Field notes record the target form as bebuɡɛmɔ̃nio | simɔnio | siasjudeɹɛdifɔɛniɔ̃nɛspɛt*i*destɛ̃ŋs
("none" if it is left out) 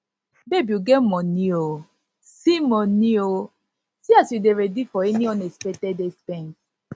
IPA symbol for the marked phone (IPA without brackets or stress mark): ɛ